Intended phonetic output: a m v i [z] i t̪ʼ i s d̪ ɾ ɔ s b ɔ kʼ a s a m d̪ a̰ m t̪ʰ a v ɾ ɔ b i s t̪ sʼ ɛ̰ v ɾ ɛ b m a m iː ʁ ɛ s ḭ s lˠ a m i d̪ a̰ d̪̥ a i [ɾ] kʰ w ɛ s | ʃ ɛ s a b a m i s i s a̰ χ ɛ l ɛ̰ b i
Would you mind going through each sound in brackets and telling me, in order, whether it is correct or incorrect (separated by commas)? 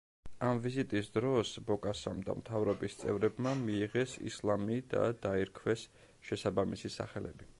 correct, correct